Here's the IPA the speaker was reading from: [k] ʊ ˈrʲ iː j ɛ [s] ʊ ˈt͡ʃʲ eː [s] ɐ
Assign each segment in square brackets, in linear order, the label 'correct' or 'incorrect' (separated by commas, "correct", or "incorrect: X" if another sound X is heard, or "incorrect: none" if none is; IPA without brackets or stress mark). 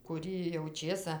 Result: correct, incorrect: none, correct